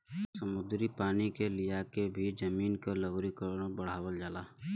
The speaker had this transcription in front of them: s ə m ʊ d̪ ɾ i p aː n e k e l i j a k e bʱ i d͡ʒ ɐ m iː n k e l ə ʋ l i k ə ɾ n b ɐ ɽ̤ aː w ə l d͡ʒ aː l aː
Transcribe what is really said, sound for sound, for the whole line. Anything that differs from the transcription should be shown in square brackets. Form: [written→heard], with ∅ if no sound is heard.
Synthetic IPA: s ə m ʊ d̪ ɾ i p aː n [e→i] k e l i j a k e bʱ i d͡ʒ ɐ m iː n k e l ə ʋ [l→ɾ] i k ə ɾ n b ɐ ɽ̤ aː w ə l d͡ʒ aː l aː